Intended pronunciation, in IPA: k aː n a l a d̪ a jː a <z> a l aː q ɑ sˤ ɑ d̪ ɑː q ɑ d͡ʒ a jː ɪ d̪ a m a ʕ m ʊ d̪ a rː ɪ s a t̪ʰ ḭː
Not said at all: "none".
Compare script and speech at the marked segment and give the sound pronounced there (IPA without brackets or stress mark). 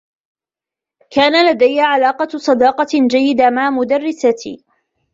ʕ